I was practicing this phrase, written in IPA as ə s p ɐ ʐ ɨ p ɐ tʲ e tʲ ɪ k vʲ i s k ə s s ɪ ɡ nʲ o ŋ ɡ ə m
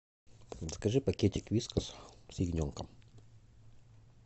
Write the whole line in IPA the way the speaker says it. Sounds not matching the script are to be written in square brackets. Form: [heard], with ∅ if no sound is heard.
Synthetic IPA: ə s [k] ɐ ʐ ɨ p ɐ [kʲ] e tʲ ɪ k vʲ i s k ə s s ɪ ɡ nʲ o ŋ [k] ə m